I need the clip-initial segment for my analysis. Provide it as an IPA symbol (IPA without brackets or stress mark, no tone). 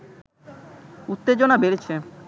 u